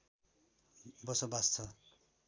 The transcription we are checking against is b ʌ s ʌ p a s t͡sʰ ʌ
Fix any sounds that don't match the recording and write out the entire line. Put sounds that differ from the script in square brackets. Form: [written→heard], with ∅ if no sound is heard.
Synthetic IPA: b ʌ s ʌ [p→b] a s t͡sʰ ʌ